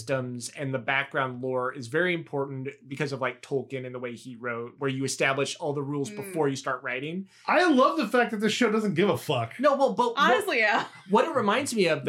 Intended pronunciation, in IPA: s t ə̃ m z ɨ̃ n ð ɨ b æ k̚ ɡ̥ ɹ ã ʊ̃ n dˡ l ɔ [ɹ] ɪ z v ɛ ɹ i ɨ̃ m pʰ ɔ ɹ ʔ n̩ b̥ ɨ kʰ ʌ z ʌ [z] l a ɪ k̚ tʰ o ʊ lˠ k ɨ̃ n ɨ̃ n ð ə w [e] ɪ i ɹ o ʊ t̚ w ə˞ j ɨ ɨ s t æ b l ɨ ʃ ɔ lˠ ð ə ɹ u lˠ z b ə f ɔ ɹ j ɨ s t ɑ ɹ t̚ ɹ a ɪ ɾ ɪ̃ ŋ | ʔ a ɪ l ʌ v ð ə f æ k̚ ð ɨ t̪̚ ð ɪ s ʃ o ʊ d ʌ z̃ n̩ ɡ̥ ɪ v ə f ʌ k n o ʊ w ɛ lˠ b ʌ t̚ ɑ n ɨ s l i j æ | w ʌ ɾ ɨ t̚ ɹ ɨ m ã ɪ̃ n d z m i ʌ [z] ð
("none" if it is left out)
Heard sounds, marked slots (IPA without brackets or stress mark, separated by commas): ɹ, v, e, v